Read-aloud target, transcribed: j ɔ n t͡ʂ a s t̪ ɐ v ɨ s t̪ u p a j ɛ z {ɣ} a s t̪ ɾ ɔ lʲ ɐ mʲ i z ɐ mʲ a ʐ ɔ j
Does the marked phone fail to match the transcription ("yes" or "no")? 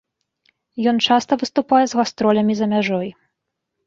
no